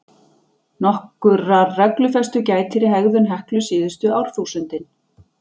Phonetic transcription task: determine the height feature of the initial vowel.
mid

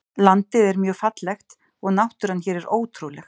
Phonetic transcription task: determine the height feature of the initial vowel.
low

